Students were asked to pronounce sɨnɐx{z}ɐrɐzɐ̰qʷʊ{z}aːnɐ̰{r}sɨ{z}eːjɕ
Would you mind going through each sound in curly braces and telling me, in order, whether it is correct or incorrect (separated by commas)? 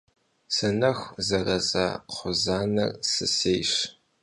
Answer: correct, correct, correct, incorrect